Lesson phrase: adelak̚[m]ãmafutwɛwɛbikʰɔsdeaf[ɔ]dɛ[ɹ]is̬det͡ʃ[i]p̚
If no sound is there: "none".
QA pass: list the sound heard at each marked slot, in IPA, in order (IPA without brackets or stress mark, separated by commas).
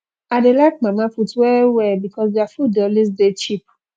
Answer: m, u, l, i